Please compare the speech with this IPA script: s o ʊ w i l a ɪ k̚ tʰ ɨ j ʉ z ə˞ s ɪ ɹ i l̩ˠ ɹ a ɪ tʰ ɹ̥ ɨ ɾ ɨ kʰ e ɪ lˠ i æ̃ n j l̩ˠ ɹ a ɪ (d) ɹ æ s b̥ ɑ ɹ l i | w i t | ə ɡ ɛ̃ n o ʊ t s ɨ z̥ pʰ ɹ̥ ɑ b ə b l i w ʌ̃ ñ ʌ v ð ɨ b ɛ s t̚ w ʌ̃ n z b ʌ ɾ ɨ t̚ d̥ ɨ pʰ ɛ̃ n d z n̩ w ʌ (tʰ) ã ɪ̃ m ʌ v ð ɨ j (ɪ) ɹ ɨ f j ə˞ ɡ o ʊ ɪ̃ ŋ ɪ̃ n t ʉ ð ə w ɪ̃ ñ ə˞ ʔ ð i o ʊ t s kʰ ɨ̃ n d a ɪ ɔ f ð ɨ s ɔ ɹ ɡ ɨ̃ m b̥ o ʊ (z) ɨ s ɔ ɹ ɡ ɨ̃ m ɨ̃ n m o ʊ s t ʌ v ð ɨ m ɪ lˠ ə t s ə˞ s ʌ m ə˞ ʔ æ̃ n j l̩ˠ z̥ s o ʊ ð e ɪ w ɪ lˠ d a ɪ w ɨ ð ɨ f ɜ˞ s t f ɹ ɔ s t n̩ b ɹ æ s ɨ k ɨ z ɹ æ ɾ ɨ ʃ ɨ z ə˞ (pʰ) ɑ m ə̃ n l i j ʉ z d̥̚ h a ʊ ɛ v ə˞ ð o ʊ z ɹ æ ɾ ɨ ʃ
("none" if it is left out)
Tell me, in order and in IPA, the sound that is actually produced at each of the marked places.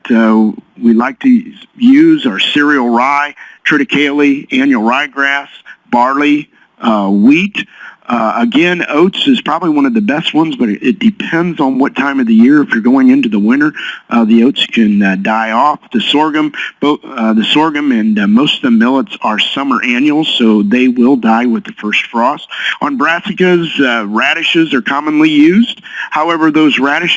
ɡ, tʰ, ɪ, ð, kʰ

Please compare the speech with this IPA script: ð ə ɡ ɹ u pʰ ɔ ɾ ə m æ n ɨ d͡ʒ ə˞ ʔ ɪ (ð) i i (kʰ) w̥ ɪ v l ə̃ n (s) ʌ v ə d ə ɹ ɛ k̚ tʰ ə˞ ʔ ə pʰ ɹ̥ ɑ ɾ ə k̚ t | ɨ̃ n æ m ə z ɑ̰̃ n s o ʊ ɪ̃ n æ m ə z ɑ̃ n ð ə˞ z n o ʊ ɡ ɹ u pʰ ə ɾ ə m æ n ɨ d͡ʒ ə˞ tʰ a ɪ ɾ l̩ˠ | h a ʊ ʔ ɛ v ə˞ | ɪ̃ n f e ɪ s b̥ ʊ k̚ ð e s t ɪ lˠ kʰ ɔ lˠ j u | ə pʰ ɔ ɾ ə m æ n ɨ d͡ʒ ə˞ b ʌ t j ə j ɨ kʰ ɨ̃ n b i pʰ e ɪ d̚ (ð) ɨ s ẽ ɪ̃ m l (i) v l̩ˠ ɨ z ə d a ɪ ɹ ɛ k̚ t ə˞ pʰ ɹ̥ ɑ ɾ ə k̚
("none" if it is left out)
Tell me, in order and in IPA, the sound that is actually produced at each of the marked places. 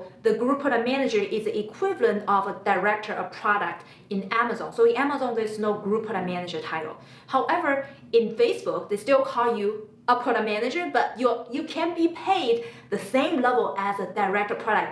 z, kʰ, t, ð, ɛ

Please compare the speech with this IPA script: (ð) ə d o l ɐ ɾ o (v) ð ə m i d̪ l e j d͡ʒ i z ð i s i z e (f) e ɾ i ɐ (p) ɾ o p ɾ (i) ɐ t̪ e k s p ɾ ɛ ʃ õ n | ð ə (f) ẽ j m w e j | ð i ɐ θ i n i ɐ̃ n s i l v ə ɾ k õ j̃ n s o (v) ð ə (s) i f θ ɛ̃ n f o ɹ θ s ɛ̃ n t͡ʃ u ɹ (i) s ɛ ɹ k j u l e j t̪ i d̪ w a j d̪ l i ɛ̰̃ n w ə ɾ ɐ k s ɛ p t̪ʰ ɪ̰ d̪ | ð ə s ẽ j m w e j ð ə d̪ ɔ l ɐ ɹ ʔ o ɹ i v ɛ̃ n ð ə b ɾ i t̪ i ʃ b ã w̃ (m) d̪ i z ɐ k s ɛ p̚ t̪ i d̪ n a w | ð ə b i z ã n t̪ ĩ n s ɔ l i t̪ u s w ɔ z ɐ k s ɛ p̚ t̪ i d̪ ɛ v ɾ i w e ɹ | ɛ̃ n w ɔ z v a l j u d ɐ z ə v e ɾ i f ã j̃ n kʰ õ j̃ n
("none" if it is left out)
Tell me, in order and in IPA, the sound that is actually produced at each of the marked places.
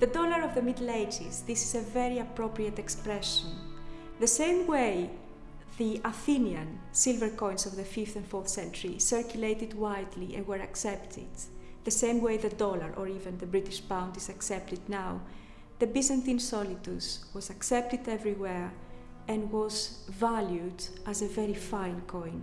ð, v, v, p, i, s, v, f, i, n

